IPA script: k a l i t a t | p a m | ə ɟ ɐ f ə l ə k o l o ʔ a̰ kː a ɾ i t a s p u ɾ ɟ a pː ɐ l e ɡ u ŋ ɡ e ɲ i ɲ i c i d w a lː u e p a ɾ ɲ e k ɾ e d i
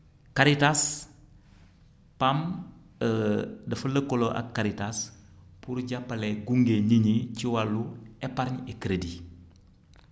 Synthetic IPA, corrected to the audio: k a ɾ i t a s | p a m | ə d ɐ f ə l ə k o l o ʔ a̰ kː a ɾ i t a s p u ɾ ɟ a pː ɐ l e ɡ u ŋ ɡ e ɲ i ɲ i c i w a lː u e p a ɾ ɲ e k ɾ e d i